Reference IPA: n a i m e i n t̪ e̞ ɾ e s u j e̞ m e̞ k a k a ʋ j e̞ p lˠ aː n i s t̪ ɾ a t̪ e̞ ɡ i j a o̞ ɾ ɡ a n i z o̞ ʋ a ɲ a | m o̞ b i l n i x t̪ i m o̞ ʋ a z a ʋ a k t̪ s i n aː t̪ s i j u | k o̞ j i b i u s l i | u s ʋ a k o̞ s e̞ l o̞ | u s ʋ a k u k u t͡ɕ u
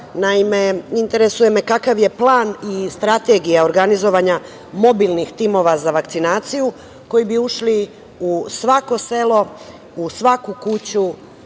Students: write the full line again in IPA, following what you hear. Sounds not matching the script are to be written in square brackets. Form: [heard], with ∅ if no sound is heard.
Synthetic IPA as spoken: n a i m e i n t̪ e̞ ɾ e s u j e̞ m e̞ k a k a ʋ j e̞ p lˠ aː n i s t̪ ɾ a t̪ e̞ ɡ i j a o̞ ɾ ɡ a n i z o̞ ʋ a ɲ a | m o̞ b i l n i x t̪ i m o̞ ʋ a z a ʋ a k t̪ s i n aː t̪ s i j u | k o̞ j i b i u [ʃ] l i | u s ʋ a k o̞ s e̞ l o̞ | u s ʋ a k u k u t͡ɕ u